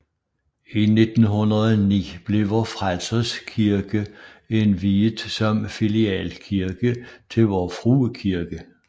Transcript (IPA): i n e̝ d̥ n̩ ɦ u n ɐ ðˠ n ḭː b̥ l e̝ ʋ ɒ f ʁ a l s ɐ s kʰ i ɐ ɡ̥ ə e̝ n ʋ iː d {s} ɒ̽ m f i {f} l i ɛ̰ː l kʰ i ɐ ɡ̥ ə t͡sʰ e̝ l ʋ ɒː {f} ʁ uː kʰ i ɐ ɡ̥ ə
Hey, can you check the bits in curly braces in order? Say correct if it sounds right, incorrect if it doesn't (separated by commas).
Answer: correct, incorrect, correct